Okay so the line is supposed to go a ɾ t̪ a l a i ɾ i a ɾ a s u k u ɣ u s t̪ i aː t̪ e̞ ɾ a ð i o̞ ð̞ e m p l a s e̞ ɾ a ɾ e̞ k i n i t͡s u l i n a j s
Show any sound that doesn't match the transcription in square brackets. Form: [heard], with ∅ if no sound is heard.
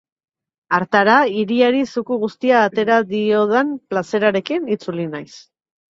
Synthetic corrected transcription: a ɾ t̪ a [ɾ] a i ɾ i a ɾ [i] s u k u ɣ u s t̪ i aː t̪ e̞ ɾ a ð i o̞ ð̞ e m p l a s e̞ ɾ a ɾ e̞ k i n i t͡s u l i n a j s